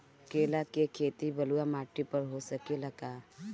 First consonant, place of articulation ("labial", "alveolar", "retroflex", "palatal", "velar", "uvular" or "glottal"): velar